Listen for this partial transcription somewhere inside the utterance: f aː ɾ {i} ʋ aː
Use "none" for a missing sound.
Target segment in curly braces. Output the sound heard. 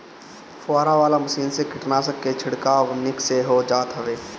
a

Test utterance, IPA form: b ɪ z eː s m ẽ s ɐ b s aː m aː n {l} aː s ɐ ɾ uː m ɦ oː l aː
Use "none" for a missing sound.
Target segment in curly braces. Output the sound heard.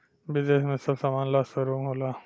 l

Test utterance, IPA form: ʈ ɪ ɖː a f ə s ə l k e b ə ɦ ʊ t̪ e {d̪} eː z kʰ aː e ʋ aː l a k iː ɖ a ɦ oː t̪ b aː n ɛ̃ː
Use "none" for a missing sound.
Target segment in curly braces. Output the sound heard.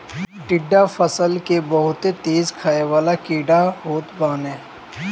t̪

